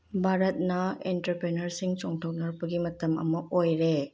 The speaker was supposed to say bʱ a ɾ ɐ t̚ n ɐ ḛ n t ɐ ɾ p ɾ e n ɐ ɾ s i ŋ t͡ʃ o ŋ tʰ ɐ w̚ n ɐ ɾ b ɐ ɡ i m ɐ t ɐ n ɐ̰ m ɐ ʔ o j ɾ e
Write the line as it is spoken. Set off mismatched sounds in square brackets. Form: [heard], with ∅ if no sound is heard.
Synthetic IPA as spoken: bʱ a ɾ ɐ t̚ n ɐ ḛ n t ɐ ɾ p ɾ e n ɐ ɾ s i ŋ t͡ʃ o ŋ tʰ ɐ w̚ n ɐ ɾ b ɐ ɡ i m ɐ t ɐ [m] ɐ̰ m ɐ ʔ o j ɾ e